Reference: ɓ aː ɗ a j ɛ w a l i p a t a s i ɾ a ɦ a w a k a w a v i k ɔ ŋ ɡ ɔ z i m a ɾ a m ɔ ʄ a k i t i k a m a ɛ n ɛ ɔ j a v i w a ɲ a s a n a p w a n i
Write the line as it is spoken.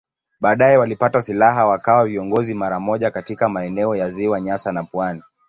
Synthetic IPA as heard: ɓ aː ɗ a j ɛ w a l i p a t a s i l a ɦ a w a k a w a v i ɔ ŋ ɡ ɔ z i m a ɾ a m ɔ ʄ a k a t i k a m a ɛ n ɛ ɔ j a z i w a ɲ a s a n a p w a n i